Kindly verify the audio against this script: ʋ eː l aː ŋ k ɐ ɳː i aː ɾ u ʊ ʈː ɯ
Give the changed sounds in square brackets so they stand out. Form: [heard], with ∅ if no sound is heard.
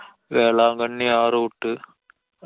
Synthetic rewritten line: ʋ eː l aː ŋ [ɡ] ɐ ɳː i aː ɾ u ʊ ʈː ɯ